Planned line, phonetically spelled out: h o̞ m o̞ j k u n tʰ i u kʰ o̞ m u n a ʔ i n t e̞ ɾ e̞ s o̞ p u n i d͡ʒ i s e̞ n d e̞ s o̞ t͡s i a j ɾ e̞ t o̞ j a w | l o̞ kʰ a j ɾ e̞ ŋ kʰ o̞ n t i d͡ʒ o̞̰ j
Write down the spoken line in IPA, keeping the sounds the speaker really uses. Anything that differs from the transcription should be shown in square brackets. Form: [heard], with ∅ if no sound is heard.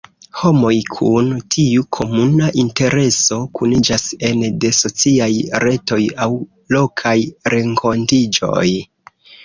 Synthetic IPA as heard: h o̞ m o̞ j [kʰ] u n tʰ i u kʰ o̞ m u n a ʔ i n t e̞ ɾ e̞ s o̞ [k] u n i d͡ʒ [a] s e̞ n d e̞ s o̞ t͡s i a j ɾ e̞ t o̞ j a w | l o̞ kʰ a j ɾ e̞ ŋ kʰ o̞ n t i d͡ʒ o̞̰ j